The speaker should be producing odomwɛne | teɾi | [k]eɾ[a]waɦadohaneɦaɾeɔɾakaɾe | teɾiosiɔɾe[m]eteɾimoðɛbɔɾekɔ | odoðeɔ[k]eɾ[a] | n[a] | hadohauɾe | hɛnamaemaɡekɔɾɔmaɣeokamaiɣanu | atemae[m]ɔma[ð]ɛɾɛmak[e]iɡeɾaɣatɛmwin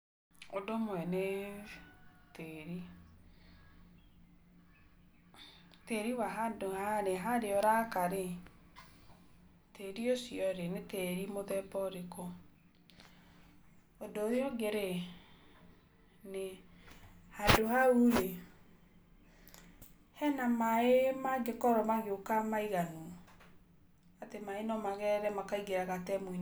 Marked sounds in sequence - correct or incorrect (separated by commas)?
incorrect, incorrect, incorrect, incorrect, incorrect, incorrect, incorrect, incorrect, incorrect